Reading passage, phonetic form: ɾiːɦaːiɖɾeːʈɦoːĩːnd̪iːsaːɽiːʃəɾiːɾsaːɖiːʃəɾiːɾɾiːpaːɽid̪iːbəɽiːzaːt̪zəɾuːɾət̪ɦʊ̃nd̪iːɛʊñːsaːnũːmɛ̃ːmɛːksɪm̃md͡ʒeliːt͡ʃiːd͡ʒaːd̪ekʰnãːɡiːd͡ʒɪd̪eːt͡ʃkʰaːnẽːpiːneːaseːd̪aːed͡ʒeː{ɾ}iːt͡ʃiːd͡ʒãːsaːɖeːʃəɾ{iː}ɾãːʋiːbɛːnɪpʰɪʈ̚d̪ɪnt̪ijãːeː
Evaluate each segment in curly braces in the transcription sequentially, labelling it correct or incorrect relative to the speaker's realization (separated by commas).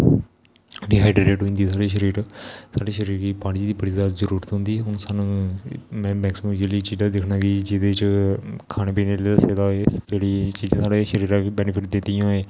incorrect, correct